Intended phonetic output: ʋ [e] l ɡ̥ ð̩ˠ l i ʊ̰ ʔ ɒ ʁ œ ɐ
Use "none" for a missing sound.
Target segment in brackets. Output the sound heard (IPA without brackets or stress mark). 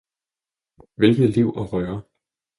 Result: e